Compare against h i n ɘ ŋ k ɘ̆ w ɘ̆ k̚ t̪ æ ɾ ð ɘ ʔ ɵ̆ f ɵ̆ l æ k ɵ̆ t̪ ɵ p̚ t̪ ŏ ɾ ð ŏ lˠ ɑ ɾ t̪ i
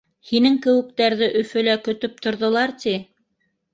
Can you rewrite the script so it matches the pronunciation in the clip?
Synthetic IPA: h i n ɘ ŋ k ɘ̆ w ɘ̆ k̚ t̪ æ ɾ ð ɘ ʔ ɵ̆ f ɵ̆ l æ k ɵ̆ t̪ ɵ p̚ t̪ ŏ ɾ ð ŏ lˠ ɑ ɾ t̪ i